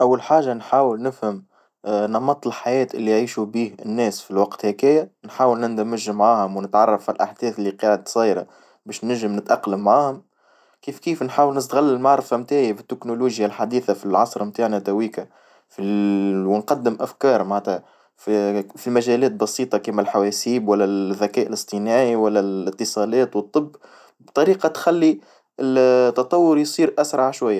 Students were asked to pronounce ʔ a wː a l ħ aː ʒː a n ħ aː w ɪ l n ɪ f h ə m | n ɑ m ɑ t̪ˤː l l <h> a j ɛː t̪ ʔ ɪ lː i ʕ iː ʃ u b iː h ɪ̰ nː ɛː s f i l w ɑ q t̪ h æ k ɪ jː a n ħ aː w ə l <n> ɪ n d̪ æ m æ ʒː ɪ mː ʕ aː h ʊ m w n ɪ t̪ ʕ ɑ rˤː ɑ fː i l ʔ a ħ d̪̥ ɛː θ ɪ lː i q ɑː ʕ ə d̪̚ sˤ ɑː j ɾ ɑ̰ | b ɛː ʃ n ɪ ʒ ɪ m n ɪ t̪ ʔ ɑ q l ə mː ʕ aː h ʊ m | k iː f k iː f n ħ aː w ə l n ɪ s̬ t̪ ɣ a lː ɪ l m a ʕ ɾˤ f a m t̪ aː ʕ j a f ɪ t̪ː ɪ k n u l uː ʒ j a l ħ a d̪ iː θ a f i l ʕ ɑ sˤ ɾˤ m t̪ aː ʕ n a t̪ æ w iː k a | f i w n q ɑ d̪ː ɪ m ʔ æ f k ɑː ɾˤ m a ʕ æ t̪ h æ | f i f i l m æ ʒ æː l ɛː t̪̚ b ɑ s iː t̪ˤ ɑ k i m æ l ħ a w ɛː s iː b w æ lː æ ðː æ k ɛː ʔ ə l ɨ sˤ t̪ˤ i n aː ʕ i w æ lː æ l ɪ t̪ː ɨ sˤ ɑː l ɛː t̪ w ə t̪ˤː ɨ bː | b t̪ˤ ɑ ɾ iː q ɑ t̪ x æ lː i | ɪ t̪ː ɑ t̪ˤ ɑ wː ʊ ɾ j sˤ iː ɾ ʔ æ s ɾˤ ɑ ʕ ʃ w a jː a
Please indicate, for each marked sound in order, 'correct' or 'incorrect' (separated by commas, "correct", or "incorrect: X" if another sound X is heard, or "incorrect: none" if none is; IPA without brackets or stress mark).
incorrect: ħ, correct